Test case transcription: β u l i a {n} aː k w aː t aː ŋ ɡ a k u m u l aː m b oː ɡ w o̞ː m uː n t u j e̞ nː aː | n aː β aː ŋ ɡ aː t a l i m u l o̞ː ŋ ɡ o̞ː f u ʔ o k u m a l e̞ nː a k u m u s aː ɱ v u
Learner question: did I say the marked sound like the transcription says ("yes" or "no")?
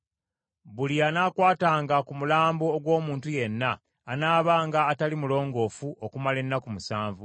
yes